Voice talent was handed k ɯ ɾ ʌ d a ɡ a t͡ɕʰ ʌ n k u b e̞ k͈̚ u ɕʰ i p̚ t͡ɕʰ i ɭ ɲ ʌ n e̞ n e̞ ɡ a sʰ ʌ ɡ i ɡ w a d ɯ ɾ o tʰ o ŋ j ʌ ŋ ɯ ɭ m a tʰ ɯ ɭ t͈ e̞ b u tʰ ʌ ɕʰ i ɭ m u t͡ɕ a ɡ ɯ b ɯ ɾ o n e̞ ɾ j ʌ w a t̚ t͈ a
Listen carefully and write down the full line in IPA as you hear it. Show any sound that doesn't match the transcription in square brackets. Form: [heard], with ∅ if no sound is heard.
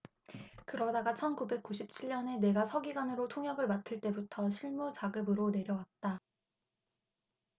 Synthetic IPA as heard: k ɯ ɾ ʌ d a ɡ a t͡ɕʰ ʌ n k u b e̞ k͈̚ u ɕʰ i p̚ t͡ɕʰ i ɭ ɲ ʌ n e̞ n e̞ ɡ a sʰ ʌ ɡ i ɡ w a [n] ɯ ɾ o tʰ o ŋ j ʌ [ɡ] ɯ ɭ m a tʰ ɯ ɭ t͈ e̞ b u tʰ ʌ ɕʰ i ɭ m u t͡ɕ a ɡ ɯ b ɯ ɾ o n e̞ ɾ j ʌ w a t̚ t͈ a

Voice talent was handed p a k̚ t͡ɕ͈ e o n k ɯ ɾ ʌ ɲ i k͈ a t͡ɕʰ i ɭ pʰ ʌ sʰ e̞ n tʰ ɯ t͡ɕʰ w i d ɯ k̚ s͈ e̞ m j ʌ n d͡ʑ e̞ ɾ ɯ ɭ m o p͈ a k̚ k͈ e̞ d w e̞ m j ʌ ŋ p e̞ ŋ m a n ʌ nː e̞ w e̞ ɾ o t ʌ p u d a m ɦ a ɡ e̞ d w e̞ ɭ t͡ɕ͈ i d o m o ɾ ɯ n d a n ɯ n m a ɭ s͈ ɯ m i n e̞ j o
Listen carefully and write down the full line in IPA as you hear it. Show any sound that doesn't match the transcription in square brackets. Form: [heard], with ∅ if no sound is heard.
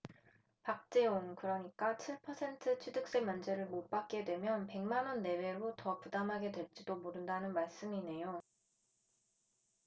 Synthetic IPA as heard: p a k̚ t͡ɕ͈ e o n k ɯ ɾ ʌ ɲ i k͈ a t͡ɕʰ i ɭ pʰ ʌ sʰ e̞ n tʰ ɯ t͡ɕʰ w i d ɯ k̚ s͈ e̞ m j ʌ n d͡ʑ e̞ ɾ ɯ ɭ m o p͈ a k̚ k͈ e̞ d w e̞ m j ʌ [n] p e̞ ŋ m a n ʌ nː e̞ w e̞ ɾ o t ʌ p u d a m ɦ a ɡ e̞ d w e̞ ɭ t͡ɕ͈ i d o m o ɾ ɯ n d a n ɯ n m a ɭ s͈ ɯ m i n e̞ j o

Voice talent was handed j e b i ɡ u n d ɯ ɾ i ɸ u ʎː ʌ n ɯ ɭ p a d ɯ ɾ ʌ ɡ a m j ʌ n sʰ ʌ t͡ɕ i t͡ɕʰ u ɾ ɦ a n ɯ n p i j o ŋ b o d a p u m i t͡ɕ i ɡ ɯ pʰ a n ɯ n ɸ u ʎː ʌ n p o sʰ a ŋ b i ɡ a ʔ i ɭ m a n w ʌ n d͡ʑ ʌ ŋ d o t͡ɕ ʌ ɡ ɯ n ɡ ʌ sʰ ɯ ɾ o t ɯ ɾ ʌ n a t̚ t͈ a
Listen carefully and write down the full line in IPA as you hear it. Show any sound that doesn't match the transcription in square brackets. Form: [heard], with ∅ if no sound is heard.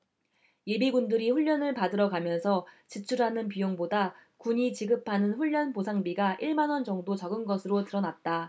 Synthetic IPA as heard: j e b i ɡ u n d ɯ ɾ i ɸ u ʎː ʌ n ɯ ɭ p a d ɯ ɾ ʌ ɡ a m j ʌ n sʰ ʌ t͡ɕ i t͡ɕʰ u ɾ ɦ a n ɯ n p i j o ŋ b o d a [k] u [ɲ] i t͡ɕ i ɡ ɯ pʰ a n ɯ n ɸ u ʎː ʌ n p o sʰ a ŋ b i ɡ a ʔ i ɭ m a n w ʌ n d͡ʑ ʌ ŋ d o t͡ɕ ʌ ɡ ɯ n ɡ ʌ sʰ ɯ ɾ o t ɯ ɾ ʌ n a t̚ t͈ a

